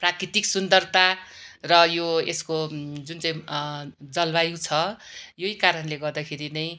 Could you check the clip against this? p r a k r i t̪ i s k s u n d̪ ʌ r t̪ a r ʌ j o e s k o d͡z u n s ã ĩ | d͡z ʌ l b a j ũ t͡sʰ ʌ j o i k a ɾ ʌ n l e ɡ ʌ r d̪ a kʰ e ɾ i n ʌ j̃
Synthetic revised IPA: p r a k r i t̪ i k s u n d̪ ʌ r t̪ a r ʌ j o e s k o d͡z u n t͡s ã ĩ | d͡z ʌ l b a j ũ t͡sʰ ʌ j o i k a ɾ ʌ n l e ɡ ʌ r d̪ a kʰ e ɾ i n ʌ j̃

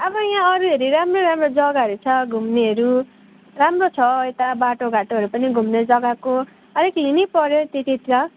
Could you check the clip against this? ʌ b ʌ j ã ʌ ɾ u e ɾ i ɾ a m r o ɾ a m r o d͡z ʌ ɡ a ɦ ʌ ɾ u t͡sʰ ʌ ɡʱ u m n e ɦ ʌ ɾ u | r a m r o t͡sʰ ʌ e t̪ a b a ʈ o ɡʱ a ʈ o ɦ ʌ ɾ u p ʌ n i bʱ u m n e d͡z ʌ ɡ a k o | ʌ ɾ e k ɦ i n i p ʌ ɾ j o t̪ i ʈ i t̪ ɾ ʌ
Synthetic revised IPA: ʌ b ʌ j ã ʌ ɾ u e ɾ i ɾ a m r o ɾ a m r o d͡z ʌ ɡ a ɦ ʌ ɾ u t͡sʰ ʌ ɡʱ u m n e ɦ ʌ ɾ u | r a m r o t͡sʰ ʌ e t̪ a b a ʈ o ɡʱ a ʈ o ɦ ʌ ɾ u p ʌ n i ɡʱ u m n e d͡z ʌ ɡ a k o | ʌ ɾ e k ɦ i n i p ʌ ɾ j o t̪ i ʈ i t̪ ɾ ʌ

